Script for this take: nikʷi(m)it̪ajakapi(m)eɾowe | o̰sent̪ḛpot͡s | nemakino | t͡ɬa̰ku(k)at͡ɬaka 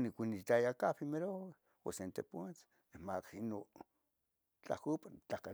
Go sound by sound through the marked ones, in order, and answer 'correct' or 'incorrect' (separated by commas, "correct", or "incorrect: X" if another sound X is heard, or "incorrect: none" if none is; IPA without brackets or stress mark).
incorrect: n, correct, incorrect: p